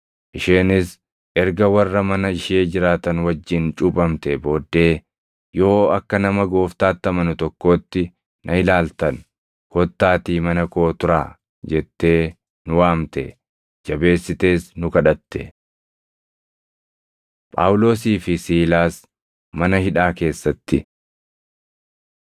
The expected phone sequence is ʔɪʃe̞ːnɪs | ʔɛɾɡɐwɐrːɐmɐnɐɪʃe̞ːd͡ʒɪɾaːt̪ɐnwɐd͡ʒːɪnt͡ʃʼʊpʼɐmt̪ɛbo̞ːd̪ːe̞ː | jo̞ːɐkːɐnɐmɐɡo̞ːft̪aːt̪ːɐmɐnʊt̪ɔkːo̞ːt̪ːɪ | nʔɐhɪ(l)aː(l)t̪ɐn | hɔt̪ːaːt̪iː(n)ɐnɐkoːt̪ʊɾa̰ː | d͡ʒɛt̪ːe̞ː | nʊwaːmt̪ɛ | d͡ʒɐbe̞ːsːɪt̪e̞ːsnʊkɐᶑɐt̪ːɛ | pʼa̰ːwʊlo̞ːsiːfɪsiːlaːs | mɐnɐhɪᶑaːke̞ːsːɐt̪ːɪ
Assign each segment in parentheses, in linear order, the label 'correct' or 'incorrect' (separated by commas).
correct, correct, incorrect